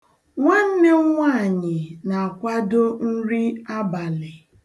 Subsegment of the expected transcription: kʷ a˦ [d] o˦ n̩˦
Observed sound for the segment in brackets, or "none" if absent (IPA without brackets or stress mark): d